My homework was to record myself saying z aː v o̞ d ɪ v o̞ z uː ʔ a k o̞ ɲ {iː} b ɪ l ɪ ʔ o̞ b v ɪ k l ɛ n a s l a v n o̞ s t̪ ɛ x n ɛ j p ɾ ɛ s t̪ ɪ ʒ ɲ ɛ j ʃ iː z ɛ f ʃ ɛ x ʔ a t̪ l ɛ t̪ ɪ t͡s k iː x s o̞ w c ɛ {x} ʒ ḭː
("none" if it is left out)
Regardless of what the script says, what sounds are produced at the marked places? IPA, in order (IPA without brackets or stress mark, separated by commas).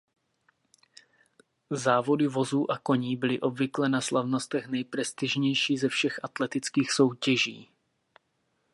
iː, none